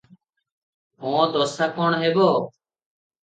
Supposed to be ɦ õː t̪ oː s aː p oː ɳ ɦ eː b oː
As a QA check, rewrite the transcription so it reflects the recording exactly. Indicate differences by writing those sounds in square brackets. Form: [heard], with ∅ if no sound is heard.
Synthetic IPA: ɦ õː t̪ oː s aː [k] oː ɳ ɦ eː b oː